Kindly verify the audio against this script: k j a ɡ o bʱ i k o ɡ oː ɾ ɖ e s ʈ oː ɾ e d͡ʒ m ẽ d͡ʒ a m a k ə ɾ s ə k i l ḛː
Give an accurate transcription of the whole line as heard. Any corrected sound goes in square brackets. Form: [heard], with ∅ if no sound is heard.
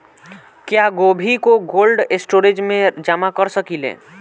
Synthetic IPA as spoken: k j a ɡ o bʱ i k o ɡ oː [l] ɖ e s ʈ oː ɾ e d͡ʒ m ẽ d͡ʒ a m a k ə ɾ s ə k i l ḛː